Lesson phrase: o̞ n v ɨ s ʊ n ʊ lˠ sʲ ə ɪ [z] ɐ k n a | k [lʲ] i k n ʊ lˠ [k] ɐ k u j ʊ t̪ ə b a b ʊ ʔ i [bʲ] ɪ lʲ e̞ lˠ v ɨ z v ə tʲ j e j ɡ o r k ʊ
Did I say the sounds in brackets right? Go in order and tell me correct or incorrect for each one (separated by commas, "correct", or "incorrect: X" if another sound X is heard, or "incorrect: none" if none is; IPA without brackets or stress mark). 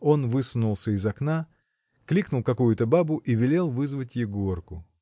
correct, correct, correct, incorrect: vʲ